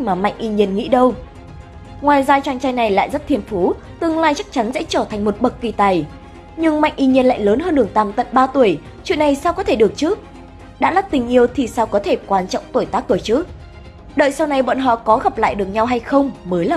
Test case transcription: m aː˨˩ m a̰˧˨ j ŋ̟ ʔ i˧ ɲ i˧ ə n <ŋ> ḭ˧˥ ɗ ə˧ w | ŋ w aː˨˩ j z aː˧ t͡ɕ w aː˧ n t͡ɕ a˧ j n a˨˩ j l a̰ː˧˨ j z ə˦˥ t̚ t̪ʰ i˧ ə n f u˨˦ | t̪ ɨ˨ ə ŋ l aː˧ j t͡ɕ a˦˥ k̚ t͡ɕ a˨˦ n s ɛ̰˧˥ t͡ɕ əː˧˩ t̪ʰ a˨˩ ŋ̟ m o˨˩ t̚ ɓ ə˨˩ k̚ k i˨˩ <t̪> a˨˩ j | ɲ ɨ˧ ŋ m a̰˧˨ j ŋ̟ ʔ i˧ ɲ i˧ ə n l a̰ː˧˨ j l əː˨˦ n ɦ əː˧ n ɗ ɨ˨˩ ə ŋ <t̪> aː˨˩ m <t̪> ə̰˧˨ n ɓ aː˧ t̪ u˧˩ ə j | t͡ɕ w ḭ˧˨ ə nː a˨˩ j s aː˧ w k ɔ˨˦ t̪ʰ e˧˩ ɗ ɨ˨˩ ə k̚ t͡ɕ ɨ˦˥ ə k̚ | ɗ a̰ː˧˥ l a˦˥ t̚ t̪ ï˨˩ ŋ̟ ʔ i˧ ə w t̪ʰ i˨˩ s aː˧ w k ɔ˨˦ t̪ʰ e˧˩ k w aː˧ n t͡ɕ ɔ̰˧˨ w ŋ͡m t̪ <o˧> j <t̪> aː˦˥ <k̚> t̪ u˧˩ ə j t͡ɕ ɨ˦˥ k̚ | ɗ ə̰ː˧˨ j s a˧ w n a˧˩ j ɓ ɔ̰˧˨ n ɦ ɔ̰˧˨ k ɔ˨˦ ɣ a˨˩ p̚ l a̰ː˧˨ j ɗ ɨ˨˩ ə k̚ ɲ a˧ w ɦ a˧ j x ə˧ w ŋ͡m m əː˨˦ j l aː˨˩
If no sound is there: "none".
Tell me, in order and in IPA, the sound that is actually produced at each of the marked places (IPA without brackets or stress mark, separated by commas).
ŋ, t̪, t̪, t̪, o˧˩, t̪, k̚